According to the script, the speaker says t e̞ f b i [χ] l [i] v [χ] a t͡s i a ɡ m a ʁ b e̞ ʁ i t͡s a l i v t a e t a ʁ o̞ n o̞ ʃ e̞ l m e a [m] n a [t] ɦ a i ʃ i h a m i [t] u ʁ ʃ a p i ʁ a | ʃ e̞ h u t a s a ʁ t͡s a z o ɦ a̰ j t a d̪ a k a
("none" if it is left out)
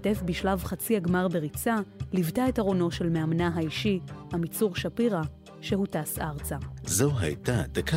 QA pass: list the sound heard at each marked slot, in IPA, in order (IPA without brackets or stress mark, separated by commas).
ʃ, a, χ, m, none, t͡s